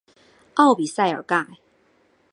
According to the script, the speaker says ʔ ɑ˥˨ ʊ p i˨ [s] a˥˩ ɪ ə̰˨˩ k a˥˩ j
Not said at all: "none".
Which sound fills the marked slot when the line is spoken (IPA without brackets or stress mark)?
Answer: s